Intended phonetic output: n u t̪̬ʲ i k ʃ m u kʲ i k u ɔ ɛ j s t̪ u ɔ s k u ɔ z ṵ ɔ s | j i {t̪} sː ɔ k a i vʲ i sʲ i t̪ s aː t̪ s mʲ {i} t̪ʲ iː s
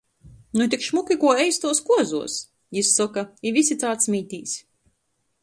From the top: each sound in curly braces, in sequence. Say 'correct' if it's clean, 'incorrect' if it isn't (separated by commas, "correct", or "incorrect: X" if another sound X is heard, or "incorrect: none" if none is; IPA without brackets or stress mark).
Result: incorrect: none, incorrect: iː